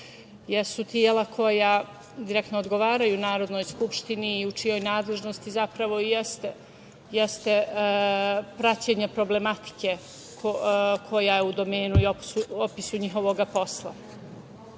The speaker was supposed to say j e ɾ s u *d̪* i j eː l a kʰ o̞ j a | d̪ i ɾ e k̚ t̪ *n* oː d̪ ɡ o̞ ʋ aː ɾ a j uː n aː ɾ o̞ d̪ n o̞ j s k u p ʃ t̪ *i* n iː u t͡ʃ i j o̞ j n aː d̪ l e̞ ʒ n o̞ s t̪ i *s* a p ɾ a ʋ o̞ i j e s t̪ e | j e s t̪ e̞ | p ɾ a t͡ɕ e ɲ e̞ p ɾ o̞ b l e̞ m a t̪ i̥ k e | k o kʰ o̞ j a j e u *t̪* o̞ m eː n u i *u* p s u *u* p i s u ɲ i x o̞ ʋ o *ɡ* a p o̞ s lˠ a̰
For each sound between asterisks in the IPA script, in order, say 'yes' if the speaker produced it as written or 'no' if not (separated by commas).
no, yes, yes, no, no, no, no, yes